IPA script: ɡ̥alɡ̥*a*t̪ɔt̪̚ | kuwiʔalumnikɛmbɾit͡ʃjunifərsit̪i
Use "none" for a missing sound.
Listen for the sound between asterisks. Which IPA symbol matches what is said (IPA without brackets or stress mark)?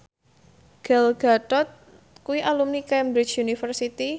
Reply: a